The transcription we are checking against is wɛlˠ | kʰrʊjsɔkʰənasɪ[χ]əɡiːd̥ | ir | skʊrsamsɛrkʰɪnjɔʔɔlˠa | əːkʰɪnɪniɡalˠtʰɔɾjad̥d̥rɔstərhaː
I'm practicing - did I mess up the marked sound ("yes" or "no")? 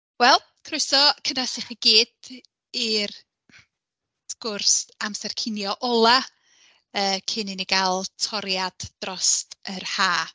no